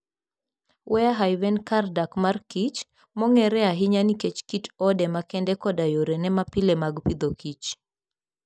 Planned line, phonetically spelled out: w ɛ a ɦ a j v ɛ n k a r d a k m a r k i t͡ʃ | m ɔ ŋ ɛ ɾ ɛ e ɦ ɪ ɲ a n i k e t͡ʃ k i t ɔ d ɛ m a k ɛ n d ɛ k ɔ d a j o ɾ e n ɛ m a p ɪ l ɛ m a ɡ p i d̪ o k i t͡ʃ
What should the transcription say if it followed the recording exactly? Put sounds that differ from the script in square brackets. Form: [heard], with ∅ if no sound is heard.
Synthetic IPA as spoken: w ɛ a ɦ a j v ɛ n k a r d a k m a r k i t͡ʃ | m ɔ ŋ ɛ ɾ ɛ [a] ɦ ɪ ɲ a n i k e t͡ʃ k i t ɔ d ɛ m a k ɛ n d ɛ k ɔ d a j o ɾ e n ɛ m a p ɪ l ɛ m a ɡ p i d̪ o k i t͡ʃ